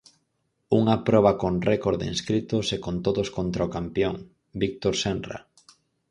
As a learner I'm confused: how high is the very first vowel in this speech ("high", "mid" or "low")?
high